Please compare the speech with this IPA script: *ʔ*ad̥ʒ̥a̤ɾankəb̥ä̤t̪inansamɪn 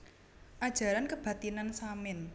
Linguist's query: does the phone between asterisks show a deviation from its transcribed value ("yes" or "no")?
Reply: no